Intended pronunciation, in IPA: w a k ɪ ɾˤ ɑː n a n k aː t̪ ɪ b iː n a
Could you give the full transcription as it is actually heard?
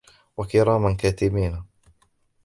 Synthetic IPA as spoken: w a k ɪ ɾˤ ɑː m a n k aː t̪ ɪ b iː n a